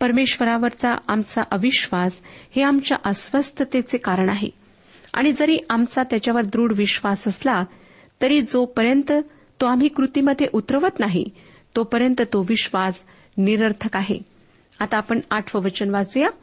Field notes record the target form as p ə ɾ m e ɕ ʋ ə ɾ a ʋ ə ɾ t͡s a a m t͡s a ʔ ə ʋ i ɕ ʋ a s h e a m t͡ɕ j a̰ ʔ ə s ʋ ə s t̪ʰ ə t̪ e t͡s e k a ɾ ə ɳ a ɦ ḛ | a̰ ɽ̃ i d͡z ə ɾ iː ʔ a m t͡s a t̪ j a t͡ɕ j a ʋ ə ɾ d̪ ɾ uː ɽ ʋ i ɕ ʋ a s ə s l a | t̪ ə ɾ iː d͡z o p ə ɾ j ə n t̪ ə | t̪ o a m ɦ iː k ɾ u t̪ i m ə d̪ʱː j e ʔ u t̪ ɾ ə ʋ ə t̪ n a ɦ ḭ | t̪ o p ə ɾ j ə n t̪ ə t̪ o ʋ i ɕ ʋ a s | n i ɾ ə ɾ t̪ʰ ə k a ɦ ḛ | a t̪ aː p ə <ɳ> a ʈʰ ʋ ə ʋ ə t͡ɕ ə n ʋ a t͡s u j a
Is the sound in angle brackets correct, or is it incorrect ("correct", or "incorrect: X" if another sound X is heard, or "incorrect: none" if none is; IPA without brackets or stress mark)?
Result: correct